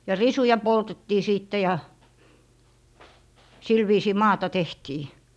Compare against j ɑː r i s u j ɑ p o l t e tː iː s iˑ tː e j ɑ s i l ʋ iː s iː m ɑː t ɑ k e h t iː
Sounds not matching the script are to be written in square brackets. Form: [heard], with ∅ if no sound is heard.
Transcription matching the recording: j [ɑ] r i s u j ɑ p o l t e tː iː s iˑ tː e j ɑ s i l ʋ iː s iː m ɑː t ɑ [t] e h t iː